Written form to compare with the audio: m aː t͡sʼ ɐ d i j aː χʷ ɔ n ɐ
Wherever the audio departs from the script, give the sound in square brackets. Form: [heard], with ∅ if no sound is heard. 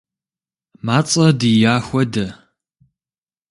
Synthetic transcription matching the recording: m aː t͡sʼ ɐ d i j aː [xʷ] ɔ [d] ɐ